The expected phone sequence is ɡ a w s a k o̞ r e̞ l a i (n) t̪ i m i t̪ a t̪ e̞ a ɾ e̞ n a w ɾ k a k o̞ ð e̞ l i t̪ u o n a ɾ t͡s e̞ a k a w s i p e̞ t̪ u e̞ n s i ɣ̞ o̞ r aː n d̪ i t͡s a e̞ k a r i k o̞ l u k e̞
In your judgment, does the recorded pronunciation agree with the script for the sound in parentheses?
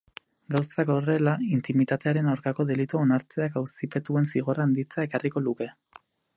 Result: yes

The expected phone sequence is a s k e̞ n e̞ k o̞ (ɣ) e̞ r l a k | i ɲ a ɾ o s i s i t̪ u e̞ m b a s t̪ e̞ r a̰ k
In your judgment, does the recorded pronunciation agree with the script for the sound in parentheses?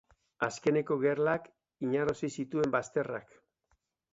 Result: yes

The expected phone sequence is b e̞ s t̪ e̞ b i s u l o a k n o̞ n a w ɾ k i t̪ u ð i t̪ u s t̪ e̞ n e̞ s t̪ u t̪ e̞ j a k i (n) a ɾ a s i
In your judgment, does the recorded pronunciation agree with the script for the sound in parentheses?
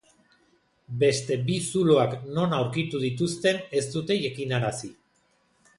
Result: yes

